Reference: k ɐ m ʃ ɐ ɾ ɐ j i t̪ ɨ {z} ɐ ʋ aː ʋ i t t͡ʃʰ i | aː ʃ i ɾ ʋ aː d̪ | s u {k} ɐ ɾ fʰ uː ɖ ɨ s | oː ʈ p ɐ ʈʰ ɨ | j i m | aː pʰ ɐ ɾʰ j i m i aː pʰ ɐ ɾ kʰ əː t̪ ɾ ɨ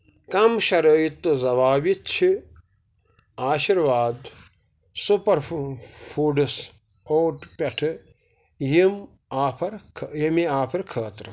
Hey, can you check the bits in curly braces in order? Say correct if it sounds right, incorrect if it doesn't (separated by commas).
correct, incorrect